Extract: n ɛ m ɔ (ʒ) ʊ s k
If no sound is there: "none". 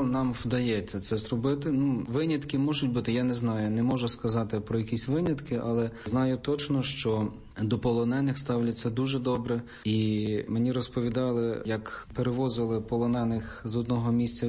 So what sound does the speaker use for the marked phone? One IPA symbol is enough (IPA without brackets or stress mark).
ʒ